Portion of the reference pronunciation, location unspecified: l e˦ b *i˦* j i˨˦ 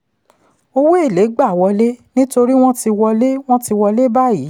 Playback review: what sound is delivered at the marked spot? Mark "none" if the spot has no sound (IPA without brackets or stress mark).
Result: a˦